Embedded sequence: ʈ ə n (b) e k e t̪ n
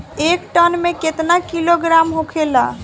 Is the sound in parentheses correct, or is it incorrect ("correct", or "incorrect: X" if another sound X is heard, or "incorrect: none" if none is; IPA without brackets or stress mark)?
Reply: incorrect: m